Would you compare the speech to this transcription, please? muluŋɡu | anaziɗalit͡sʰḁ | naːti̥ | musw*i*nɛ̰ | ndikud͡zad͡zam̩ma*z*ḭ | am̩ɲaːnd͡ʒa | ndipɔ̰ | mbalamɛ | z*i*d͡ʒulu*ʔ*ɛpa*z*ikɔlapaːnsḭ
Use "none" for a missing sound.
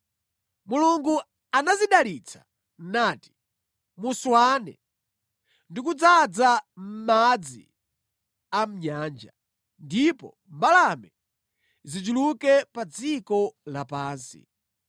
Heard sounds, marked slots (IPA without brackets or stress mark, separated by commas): a, d͡z, i, k, d͡z